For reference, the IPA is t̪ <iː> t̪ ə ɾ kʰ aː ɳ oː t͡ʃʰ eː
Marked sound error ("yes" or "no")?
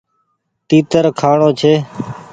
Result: no